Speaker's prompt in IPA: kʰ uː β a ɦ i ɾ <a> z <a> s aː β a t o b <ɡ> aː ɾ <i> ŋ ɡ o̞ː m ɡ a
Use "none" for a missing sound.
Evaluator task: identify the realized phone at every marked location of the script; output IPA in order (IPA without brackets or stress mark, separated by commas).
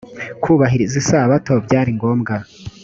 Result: i, i, ɟ, i